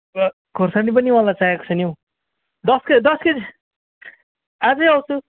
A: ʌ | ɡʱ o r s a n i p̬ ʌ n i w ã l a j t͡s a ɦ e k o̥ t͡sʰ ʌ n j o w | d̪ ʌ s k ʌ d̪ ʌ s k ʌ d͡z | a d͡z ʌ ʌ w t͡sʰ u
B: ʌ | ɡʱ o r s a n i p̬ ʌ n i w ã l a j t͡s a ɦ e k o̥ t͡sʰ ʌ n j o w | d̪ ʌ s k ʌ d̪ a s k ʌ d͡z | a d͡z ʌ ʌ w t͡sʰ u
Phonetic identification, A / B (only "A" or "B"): A